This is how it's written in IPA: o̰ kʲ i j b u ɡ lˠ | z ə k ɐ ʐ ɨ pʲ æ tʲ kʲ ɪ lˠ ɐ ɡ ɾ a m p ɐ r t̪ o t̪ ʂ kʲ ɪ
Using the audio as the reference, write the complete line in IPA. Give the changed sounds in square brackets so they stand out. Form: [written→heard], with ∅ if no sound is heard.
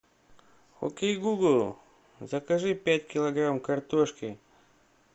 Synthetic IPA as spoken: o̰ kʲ [i→e] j [b→ɡ] u ɡ lˠ | z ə k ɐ ʐ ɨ pʲ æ tʲ kʲ ɪ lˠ ɐ ɡ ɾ a m [p→k] ɐ r t̪ o [t̪→∅] ʂ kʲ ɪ